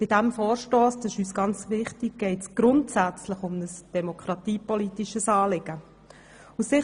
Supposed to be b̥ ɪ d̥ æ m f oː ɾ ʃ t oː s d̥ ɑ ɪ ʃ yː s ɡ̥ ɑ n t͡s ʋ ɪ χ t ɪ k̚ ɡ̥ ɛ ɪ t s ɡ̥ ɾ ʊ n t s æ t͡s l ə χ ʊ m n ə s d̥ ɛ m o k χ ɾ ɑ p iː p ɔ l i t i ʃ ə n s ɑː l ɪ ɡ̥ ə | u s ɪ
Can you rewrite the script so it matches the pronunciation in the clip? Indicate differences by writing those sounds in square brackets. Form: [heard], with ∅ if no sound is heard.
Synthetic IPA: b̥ ɪ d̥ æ m f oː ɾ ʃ t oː s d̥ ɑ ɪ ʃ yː s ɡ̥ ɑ n t͡s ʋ ɪ χ t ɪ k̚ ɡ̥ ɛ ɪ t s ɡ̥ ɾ ʊ n t s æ t͡s l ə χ ʊ m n ə s d̥ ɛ m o k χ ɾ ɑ [t] iː p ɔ l i t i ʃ ə [∅] s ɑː l ɪ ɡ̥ ə | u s ɪ